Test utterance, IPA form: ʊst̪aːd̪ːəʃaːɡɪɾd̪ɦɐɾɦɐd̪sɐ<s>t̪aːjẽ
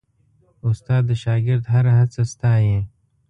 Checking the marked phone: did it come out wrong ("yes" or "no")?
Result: no